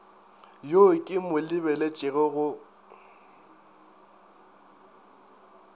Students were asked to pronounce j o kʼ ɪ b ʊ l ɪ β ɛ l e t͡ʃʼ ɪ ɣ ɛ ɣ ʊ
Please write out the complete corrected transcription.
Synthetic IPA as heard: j o kʼ ɪ m ʊ l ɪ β ɛ l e t͡ʃʼ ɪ ɣ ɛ ɣ ʊ